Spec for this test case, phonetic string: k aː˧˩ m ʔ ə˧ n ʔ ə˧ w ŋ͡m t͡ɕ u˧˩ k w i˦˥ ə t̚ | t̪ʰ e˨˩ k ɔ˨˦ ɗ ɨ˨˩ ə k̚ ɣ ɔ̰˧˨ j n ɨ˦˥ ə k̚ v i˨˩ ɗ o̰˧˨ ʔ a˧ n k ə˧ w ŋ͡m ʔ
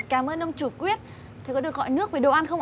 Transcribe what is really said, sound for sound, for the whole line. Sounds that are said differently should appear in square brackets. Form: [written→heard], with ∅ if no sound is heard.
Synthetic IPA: k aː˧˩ m ʔ [ə˧→əː˧] n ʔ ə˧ w ŋ͡m t͡ɕ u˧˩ k w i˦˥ ə t̚ | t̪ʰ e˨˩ k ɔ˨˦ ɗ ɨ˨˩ ə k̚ ɣ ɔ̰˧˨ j n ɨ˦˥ ə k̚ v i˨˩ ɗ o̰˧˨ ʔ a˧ n [k→x] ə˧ w ŋ͡m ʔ

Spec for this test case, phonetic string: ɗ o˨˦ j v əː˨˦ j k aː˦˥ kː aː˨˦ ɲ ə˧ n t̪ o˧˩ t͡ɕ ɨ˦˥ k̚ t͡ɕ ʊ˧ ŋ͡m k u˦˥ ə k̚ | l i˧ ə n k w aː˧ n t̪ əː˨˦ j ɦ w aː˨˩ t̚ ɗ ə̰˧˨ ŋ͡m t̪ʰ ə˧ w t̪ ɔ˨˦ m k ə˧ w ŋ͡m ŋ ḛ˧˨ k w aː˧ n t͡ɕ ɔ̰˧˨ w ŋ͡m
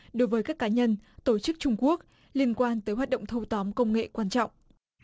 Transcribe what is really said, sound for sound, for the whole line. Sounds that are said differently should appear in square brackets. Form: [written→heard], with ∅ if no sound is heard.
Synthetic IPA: ɗ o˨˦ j v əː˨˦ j k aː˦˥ kː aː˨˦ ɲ ə˧ n t̪ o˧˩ t͡ɕ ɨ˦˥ k̚ t͡ɕ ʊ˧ ŋ͡m k u˦˥ ə k̚ | l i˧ ə n k w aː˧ n t̪ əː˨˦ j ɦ w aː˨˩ t̚ ɗ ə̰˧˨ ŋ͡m t̪ʰ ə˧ w t̪ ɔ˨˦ m k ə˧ w ŋ͡m ŋ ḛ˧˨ k w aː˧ n t͡ɕ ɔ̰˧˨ w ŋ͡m

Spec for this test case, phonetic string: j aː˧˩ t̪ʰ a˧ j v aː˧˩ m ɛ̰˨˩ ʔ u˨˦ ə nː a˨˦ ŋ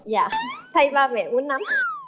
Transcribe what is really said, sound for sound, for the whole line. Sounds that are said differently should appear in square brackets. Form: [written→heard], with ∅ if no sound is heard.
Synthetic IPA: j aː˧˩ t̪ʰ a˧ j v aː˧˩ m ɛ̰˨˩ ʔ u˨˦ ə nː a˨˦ [ŋ→m]

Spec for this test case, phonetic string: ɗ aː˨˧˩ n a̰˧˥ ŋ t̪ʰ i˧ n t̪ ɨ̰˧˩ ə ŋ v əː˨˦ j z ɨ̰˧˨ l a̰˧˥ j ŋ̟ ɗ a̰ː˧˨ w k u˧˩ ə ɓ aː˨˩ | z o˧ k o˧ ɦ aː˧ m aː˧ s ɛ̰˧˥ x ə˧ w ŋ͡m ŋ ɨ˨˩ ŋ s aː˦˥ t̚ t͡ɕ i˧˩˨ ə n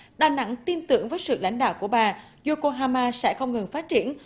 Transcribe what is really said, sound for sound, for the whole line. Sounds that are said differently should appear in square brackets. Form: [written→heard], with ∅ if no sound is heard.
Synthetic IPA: ɗ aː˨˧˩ n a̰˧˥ ŋ [t̪ʰ→t̪] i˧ n t̪ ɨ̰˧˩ ə ŋ v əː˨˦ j [z→s] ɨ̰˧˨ l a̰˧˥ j ŋ̟ ɗ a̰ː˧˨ w k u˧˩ ə ɓ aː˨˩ | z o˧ k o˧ ɦ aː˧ m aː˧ s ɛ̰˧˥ x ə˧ w ŋ͡m ŋ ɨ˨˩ ŋ [s→f] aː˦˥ t̚ t͡ɕ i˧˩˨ ə n

